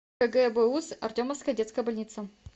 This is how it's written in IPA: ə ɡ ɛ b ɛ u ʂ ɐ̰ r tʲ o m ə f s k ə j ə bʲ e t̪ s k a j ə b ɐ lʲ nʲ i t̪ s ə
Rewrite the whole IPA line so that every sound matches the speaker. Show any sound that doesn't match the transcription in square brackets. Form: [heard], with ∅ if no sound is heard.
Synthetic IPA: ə ɡ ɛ b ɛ u [s] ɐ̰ r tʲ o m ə f s k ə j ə [dʲ] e t̪ s k [ə] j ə b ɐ lʲ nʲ i t̪ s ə